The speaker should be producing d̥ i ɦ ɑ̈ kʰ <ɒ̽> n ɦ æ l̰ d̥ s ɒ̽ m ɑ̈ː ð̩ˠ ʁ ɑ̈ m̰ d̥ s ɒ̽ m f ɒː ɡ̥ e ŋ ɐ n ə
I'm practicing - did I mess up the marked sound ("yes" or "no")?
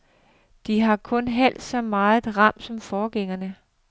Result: yes